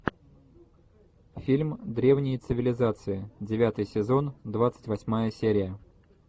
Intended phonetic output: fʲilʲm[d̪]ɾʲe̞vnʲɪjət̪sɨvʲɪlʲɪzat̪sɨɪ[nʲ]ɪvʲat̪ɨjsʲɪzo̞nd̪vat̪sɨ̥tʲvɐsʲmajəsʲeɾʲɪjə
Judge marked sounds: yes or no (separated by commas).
yes, no